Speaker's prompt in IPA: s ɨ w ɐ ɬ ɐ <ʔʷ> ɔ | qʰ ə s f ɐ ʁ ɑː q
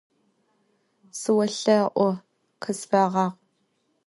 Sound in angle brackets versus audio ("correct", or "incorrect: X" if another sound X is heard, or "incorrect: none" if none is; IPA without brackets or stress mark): correct